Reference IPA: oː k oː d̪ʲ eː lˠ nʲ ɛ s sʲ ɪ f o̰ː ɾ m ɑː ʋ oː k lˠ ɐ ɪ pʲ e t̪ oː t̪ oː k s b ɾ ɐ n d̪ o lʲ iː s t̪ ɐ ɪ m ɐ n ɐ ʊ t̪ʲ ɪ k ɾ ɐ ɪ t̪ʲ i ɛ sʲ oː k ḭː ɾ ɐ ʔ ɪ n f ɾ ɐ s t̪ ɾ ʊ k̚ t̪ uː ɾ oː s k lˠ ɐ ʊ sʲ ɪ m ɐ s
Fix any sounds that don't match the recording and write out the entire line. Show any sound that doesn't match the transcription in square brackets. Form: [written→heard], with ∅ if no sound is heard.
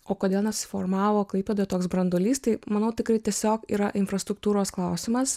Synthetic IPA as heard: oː k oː d̪ʲ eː lˠ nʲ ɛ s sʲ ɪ f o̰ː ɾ m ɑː ʋ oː k lˠ ɐ ɪ pʲ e [t̪→d̪] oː t̪ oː k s b ɾ ɐ n d̪ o lʲ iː s t̪ ɐ ɪ m ɐ n ɐ ʊ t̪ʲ ɪ k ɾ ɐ ɪ t̪ʲ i ɛ sʲ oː k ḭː ɾ ɐ ʔ ɪ n f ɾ ɐ s t̪ ɾ ʊ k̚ t̪ uː ɾ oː s k lˠ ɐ ʊ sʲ ɪ m ɐ s